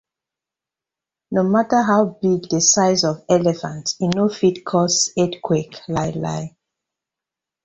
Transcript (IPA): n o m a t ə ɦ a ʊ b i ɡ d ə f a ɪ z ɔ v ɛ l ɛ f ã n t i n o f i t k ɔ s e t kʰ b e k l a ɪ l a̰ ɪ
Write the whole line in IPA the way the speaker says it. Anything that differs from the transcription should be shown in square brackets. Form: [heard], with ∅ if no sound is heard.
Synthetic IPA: n o m a t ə ɦ a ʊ b i ɡ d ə [s] a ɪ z ɔ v ɛ l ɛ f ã n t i n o f i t [kʰ] ɔ s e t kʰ [w] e k l a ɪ l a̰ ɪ